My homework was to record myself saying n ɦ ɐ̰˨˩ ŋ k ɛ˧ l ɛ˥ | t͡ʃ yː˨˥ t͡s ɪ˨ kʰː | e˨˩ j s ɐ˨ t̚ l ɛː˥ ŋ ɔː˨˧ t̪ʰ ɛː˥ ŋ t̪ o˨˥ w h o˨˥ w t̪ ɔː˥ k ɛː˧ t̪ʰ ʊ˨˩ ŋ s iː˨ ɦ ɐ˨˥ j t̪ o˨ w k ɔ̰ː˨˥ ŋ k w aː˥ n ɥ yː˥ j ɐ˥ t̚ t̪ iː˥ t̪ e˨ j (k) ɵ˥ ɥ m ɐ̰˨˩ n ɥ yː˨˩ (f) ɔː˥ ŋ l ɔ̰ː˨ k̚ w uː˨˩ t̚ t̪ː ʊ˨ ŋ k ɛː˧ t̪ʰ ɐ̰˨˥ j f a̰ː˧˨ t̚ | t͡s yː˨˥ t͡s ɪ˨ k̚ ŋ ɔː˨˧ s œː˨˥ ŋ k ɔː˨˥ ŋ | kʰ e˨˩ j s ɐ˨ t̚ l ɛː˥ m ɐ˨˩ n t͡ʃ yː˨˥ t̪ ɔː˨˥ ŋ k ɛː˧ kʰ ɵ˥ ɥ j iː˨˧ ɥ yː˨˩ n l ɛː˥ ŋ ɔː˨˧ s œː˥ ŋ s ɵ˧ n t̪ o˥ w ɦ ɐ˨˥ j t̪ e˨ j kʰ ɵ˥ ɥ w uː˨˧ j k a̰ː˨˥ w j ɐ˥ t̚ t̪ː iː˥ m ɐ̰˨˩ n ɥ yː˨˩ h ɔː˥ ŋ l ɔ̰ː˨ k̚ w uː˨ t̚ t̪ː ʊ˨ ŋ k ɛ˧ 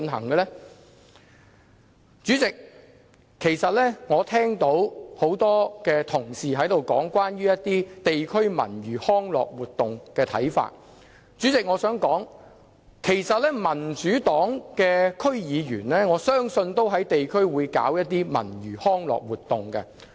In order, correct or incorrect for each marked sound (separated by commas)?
incorrect, incorrect